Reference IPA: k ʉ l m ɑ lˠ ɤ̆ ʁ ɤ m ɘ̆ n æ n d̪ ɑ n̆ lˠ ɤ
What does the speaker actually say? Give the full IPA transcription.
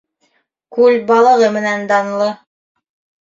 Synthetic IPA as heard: k ʉ l b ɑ lˠ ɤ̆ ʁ ɤ m ɘ̆ n æ n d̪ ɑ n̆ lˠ ɤ